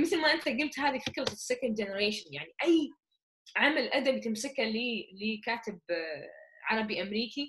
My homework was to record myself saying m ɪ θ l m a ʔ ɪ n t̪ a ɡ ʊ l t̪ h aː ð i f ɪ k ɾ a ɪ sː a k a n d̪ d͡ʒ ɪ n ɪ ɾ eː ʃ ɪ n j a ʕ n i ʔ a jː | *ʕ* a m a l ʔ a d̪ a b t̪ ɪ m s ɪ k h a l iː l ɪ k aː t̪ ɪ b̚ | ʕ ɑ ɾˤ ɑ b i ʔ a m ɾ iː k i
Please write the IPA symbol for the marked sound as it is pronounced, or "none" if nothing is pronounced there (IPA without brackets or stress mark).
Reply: ʕ